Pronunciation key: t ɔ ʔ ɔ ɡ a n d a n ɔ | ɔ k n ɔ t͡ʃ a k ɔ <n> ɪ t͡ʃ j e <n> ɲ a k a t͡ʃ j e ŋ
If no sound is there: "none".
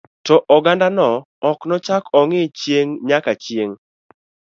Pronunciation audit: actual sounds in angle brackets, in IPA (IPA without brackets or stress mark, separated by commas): ŋ, ŋ